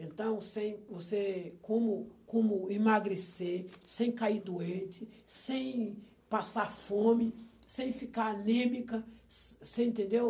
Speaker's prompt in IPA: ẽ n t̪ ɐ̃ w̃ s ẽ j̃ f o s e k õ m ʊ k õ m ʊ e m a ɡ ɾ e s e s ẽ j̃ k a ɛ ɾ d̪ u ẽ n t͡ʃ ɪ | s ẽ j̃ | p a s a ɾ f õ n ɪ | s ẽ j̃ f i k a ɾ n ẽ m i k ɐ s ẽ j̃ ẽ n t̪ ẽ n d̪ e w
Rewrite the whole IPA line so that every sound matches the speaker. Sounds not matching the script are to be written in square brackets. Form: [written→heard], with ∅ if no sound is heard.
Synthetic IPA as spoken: ẽ n t̪ ɐ̃ w̃ s ẽ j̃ [f→v] o s e k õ m ʊ k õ m ʊ [e→i] m a ɡ ɾ e s e s ẽ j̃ k a [ɛ→i] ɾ d̪ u ẽ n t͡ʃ ɪ | s ẽ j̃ | p a s a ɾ f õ [n→m] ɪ | s ẽ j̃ f i k a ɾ n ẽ m i k ɐ s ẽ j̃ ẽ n t̪ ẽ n d̪ e w

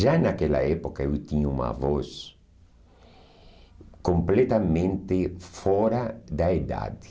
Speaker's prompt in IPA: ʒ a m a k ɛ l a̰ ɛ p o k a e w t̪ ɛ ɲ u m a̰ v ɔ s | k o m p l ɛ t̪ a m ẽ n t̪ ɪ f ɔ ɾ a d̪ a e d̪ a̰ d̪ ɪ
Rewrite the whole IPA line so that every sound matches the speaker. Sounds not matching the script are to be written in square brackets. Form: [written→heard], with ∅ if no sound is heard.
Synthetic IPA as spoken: ʒ a [m→n] a k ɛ l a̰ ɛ p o k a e w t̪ [ɛ→i] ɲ u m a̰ v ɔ s | k o m p l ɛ t̪ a m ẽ n t̪ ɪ f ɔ ɾ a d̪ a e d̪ a̰ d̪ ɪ

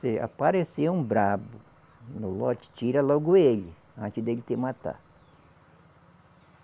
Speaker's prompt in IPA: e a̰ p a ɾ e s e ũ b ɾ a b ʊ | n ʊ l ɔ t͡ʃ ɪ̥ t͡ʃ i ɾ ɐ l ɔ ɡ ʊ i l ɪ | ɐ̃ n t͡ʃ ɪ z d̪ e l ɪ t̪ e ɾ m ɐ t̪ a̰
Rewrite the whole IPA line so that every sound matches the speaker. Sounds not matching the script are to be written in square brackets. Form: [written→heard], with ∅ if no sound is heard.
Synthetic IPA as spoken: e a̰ p a ɾ e s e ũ b ɾ a b ʊ | n ʊ l ɔ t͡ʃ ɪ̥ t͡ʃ i ɾ ɐ l ɔ ɡ ʊ [i→e] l ɪ | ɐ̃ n t͡ʃ ɪ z d̪ e l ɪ t̪ e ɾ m [ɐ→a] t̪ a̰

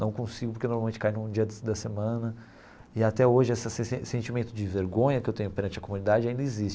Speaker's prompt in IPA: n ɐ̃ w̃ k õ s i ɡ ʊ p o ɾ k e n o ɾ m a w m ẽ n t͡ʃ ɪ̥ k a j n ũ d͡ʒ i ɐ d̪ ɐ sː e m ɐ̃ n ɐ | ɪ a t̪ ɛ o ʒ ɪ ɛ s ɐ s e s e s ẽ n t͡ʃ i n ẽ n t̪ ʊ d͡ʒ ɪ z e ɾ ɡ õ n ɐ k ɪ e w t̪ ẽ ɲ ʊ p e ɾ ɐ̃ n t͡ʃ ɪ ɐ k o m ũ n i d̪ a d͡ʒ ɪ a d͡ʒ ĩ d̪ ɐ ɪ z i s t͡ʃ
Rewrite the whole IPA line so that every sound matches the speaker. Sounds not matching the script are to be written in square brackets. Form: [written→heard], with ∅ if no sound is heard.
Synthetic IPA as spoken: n ɐ̃ w̃ k õ s i ɡ ʊ p o ɾ k e n o ɾ m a w m ẽ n t͡ʃ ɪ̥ k a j n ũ d͡ʒ i ɐ d̪ ɐ [sː→s] e m ɐ̃ n ɐ | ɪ a t̪ ɛ o ʒ ɪ ɛ s ɐ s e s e s ẽ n t͡ʃ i [n→m] ẽ n t̪ ʊ d͡ʒ ɪ [z→v] e ɾ ɡ õ [n→ɲ] ɐ k ɪ e w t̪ ẽ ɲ ʊ p e ɾ ɐ̃ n t͡ʃ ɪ ɐ k o m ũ n i d̪ a d͡ʒ ɪ a [d͡ʒ→∅] ĩ d̪ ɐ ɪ z i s t͡ʃ

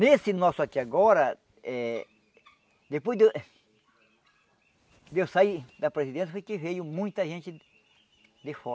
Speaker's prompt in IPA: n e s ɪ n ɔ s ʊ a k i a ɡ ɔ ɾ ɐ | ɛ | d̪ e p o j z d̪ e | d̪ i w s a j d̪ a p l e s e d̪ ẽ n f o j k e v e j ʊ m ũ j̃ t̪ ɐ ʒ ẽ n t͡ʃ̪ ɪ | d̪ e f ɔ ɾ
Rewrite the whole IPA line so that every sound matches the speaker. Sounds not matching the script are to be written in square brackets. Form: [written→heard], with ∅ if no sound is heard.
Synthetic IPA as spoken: n e s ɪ n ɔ s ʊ a k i a ɡ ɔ ɾ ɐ | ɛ | d̪ e p o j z d̪ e | d̪ [i→e] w s a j d̪ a p [l→ɾ] e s [e→i] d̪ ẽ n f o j k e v e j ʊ m ũ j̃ t̪ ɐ ʒ ẽ n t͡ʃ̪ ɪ | d̪ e f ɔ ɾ

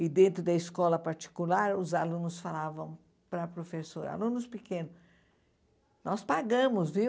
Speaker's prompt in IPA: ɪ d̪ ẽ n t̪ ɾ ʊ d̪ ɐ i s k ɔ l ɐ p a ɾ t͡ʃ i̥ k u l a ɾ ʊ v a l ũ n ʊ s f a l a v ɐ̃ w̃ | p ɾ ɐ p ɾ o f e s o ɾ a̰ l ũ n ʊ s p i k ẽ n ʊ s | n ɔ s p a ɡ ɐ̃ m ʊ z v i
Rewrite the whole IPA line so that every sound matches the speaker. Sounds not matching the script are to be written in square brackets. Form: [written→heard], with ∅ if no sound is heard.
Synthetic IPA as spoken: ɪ d̪ ẽ n t̪ ɾ ʊ d̪ ɐ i s k ɔ l ɐ p a ɾ t͡ʃ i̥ k u l a ɾ ʊ [v→z] a l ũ n ʊ s f a l a v ɐ̃ w̃ | p ɾ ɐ p ɾ o f e s o ɾ a̰ l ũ n ʊ s p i k ẽ n ʊ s | n ɔ s p a ɡ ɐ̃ m ʊ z v i

